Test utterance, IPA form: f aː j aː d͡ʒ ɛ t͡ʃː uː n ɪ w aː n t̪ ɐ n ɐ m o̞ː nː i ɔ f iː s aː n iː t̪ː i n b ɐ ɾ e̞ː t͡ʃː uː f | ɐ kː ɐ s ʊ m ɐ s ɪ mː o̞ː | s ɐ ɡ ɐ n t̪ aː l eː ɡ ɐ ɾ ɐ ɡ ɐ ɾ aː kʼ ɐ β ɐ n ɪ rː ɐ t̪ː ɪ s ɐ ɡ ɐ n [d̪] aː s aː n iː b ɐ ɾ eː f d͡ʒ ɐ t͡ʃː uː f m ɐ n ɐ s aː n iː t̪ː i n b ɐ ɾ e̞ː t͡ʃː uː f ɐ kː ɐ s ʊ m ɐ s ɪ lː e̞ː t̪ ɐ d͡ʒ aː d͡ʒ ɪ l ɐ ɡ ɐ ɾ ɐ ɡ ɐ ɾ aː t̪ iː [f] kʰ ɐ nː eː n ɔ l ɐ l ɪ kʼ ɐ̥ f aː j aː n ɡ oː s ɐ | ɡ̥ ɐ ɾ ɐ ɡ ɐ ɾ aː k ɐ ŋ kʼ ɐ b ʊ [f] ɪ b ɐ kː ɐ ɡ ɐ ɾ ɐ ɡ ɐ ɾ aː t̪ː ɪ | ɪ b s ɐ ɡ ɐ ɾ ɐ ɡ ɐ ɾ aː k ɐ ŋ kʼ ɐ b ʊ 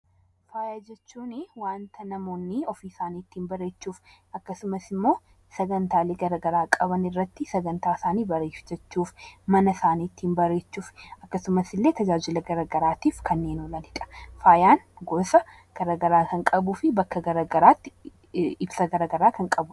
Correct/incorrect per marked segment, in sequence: incorrect: t̪, correct, correct

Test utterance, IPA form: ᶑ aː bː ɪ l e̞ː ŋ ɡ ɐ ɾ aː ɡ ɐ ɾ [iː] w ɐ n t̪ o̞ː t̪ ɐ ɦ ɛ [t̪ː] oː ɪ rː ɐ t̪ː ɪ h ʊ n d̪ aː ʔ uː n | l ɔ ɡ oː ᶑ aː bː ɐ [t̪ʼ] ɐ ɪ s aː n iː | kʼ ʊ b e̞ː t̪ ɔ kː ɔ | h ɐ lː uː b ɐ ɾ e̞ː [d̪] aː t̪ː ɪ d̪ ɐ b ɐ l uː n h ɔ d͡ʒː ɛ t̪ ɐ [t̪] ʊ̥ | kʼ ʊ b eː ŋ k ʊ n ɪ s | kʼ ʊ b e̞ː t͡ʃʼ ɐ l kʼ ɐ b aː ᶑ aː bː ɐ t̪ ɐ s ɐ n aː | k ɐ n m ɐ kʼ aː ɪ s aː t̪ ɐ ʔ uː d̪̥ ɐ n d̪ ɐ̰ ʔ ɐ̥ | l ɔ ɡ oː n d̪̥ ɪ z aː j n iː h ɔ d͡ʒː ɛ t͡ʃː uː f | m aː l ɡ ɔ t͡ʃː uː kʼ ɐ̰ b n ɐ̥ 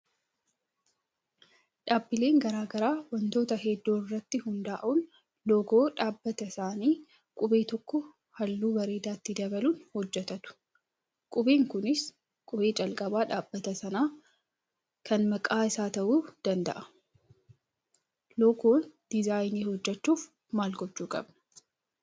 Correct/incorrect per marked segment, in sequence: incorrect: aː, incorrect: d̪ː, incorrect: t̪, correct, correct

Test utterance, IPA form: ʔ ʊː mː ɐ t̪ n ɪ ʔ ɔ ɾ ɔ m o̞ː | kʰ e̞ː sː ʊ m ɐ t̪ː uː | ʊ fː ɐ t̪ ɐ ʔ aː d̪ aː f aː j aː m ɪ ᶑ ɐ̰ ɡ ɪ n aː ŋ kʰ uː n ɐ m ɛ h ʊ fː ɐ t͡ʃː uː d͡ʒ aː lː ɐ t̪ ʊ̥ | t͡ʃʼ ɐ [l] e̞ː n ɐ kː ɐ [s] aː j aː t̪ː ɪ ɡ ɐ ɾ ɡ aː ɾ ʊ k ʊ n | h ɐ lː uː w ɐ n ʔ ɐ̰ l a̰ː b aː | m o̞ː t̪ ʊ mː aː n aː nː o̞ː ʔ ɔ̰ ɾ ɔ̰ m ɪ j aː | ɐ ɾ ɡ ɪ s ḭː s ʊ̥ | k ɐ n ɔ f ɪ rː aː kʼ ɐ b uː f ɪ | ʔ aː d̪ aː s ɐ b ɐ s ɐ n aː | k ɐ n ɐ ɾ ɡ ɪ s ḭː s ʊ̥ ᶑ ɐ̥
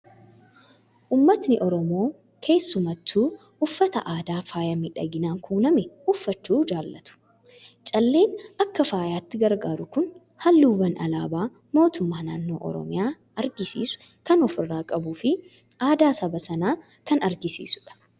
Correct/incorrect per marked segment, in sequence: incorrect: lː, incorrect: f

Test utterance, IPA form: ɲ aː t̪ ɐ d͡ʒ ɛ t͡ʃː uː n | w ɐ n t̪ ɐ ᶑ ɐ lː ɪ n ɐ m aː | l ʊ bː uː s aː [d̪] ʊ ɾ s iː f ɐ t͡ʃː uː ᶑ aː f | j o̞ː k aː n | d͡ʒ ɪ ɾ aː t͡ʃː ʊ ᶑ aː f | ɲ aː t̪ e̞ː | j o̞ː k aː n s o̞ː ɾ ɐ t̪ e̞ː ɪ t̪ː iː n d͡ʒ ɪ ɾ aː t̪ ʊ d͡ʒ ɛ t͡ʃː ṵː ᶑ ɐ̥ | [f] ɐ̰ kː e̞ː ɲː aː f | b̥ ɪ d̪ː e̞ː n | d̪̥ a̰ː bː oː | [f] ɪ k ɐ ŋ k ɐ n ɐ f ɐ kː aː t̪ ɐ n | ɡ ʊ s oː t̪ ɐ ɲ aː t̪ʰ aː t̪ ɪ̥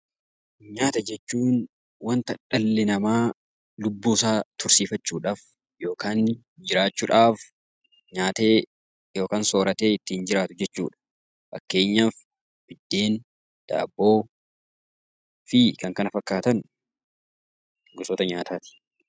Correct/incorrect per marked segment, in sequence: incorrect: t̪, correct, correct

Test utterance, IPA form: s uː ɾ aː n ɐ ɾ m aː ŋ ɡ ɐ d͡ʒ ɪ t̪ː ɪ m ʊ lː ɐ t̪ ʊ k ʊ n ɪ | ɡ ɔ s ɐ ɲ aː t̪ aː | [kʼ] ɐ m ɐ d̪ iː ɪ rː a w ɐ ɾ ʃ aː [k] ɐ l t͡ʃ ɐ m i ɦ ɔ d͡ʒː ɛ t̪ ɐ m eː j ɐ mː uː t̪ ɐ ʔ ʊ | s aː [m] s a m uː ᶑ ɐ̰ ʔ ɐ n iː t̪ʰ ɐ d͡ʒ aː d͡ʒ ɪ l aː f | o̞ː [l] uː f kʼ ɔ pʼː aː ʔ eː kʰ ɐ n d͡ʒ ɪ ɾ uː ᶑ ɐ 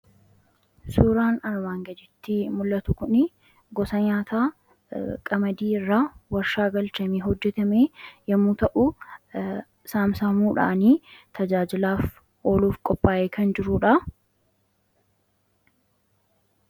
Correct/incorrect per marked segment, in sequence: correct, incorrect: ɡ, correct, correct

